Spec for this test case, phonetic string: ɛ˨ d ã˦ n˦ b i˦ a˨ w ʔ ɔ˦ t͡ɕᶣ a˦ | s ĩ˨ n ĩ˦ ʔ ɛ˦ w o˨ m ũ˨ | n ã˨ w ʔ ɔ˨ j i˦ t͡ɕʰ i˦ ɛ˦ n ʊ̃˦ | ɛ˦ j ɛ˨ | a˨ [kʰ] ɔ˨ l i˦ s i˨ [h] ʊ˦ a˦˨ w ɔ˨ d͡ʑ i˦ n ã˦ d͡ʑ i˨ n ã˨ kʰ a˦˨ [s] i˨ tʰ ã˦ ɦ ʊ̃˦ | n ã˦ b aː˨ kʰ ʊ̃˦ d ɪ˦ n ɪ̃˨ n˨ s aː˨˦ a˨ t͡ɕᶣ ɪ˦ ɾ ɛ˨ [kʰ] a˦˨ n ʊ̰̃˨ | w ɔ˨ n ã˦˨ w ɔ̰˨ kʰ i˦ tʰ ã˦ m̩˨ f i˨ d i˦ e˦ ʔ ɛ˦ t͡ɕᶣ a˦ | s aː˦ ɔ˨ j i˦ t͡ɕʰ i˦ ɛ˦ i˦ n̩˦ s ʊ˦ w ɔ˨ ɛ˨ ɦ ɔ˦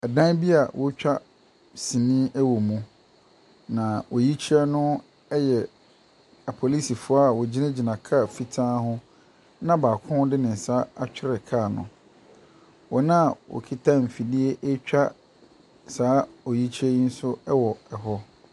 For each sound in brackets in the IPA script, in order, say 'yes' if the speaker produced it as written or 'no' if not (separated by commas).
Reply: no, no, no, yes